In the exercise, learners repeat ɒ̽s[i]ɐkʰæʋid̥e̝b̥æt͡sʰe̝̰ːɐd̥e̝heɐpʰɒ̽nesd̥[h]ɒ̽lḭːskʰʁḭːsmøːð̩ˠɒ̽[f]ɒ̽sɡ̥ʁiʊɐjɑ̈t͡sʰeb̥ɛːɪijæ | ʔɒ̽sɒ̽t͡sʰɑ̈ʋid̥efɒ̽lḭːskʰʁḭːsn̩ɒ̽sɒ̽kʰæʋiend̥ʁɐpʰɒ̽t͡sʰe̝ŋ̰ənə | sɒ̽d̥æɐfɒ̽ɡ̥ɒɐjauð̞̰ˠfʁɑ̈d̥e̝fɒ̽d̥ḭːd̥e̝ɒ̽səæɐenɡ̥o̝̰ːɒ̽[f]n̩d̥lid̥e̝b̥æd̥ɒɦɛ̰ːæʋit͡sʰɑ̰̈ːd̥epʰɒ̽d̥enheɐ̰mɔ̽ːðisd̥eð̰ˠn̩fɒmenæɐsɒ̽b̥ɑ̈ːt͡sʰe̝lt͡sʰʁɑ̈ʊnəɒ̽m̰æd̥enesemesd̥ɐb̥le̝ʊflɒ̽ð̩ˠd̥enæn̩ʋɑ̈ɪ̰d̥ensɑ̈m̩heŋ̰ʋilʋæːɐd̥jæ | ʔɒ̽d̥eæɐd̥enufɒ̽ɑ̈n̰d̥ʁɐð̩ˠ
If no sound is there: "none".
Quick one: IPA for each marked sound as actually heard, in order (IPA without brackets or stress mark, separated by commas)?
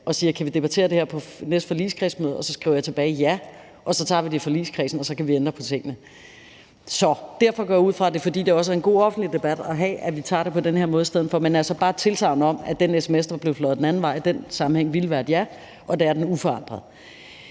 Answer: iː, f, s, f